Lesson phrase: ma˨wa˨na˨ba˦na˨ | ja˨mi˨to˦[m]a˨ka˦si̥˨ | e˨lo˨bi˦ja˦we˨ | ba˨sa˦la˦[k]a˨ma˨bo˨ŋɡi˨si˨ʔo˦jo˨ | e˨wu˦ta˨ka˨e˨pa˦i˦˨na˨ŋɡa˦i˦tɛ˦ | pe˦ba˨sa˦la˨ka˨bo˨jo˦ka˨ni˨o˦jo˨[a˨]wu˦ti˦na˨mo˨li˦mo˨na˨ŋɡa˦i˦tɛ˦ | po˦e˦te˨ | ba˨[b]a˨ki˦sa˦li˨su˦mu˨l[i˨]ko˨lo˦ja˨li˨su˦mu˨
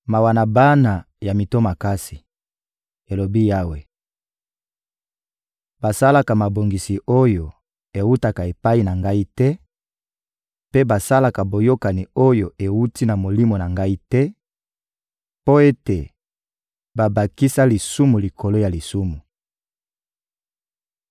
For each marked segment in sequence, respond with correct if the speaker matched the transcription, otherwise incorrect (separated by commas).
correct, correct, incorrect, correct, correct